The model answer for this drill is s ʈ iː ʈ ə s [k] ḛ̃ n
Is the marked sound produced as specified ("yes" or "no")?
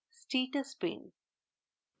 no